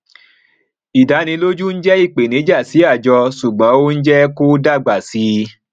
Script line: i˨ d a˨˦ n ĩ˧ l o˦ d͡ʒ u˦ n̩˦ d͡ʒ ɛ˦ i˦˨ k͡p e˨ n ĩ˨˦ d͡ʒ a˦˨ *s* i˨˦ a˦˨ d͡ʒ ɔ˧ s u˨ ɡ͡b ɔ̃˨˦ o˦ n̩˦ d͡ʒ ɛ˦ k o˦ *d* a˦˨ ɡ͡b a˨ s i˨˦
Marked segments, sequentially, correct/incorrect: correct, correct

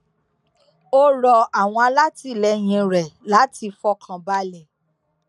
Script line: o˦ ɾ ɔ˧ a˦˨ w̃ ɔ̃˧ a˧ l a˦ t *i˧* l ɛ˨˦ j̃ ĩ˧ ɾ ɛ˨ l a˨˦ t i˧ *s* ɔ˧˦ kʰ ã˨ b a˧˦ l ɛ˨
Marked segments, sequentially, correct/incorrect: correct, incorrect

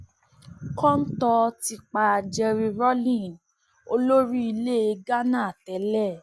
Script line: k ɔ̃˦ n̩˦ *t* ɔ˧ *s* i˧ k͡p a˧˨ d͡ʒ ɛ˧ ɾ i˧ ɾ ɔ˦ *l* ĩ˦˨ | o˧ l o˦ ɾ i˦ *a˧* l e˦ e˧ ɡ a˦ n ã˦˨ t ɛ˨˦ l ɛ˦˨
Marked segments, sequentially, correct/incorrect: correct, incorrect, correct, incorrect

